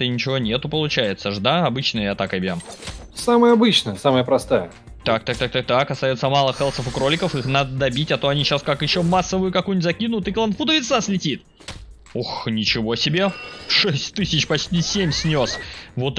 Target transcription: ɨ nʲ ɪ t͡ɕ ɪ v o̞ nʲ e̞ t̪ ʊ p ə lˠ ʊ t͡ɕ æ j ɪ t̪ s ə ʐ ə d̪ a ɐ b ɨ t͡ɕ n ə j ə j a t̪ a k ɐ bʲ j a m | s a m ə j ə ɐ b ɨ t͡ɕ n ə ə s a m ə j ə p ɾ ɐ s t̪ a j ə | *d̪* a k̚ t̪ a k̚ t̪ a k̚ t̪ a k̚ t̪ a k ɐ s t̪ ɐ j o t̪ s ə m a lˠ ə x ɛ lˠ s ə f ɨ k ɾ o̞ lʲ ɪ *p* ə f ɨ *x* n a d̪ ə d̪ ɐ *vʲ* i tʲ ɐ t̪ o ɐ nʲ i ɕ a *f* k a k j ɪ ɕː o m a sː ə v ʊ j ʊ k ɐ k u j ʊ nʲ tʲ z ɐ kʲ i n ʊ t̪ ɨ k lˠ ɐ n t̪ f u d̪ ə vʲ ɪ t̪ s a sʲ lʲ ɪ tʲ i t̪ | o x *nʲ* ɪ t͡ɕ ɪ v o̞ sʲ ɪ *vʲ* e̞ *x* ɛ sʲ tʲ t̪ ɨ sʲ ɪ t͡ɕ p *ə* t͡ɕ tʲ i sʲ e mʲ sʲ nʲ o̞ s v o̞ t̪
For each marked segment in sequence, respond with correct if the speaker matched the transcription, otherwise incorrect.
incorrect: t̪, incorrect: k, correct, incorrect: bʲ, incorrect: s, correct, incorrect: bʲ, incorrect: ʂ, incorrect: ɐ

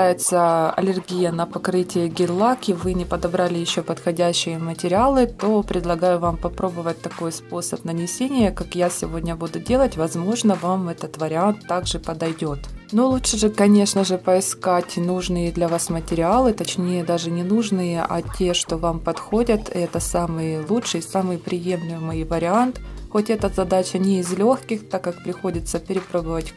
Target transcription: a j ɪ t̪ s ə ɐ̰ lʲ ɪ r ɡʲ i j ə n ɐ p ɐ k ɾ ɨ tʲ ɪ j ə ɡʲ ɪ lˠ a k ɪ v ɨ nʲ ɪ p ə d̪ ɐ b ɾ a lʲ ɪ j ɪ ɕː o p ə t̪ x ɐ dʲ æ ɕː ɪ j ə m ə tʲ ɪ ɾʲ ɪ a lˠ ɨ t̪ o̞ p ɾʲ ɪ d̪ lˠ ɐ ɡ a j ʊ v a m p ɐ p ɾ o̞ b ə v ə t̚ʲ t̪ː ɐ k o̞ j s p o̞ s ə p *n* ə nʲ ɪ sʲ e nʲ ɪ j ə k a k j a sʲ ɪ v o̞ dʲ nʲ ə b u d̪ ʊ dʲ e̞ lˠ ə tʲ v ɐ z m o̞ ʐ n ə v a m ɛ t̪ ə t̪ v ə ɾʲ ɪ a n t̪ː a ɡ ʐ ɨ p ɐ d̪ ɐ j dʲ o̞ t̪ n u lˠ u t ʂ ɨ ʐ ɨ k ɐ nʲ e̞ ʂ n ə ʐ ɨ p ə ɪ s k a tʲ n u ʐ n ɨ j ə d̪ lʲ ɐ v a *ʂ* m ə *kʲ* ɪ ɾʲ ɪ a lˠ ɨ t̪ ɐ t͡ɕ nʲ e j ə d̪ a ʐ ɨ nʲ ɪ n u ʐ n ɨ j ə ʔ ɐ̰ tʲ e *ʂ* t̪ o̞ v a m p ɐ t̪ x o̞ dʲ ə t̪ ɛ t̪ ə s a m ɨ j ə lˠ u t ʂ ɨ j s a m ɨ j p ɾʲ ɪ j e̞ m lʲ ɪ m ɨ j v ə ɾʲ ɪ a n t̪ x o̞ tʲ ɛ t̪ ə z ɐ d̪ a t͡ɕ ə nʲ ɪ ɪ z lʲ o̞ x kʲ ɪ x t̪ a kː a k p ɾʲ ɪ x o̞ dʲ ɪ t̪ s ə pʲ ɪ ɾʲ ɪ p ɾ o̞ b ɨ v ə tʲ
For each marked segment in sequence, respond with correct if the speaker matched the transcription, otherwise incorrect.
correct, incorrect: s, incorrect: tʲ, correct

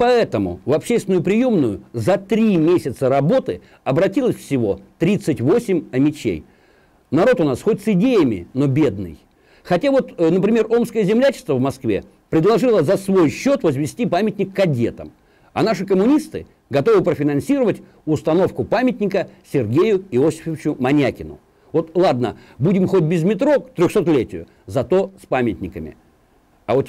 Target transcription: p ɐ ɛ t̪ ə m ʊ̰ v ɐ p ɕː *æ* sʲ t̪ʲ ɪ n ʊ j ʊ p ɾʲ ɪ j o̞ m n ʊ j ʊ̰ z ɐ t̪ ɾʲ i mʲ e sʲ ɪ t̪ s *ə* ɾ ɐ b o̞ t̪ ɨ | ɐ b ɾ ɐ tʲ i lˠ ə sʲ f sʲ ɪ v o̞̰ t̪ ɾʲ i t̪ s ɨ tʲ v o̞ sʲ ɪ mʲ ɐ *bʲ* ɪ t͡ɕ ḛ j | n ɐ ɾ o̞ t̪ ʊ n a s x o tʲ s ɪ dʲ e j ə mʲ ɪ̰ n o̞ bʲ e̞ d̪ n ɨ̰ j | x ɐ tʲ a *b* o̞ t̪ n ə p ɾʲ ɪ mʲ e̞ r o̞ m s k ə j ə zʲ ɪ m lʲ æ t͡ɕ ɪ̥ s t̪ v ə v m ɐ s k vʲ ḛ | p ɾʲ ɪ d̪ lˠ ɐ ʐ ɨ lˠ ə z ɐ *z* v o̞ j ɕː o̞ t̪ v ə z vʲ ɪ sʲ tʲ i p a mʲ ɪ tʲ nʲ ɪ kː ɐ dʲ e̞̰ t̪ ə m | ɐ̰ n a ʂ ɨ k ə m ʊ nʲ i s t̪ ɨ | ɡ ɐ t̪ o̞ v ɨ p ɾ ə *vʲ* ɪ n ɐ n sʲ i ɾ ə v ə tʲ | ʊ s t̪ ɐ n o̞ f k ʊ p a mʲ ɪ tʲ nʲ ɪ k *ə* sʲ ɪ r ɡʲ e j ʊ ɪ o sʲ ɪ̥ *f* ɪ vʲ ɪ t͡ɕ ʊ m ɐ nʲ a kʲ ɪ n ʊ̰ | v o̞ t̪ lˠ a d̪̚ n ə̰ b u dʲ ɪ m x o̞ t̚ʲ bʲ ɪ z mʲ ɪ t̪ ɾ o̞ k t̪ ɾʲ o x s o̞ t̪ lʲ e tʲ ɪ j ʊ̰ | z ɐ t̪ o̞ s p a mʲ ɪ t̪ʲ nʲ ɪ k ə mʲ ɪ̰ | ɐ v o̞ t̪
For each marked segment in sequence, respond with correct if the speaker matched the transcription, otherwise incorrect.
incorrect: e, correct, incorrect: mʲ, incorrect: v, incorrect: s, incorrect: fʲ, correct, correct

